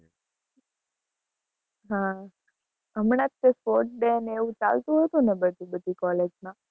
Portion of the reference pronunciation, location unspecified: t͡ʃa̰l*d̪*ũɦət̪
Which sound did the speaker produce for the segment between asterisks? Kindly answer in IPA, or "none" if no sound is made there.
t̪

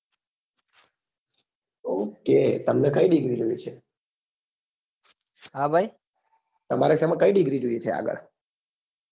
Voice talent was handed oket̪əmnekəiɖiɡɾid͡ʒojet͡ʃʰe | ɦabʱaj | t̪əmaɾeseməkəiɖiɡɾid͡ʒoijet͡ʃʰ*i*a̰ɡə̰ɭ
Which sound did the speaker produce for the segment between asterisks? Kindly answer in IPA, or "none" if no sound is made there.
e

